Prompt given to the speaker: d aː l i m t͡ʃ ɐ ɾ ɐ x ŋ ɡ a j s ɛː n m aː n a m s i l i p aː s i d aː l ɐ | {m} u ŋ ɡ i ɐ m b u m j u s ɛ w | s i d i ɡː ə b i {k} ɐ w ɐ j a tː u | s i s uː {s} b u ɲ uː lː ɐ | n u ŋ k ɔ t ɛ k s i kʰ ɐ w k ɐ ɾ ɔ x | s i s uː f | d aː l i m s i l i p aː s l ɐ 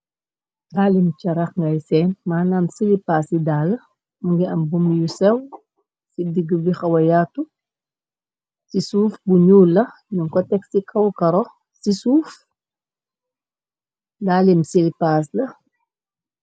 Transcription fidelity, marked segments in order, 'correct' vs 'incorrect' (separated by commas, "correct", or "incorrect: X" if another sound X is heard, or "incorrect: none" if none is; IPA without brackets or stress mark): correct, incorrect: x, incorrect: f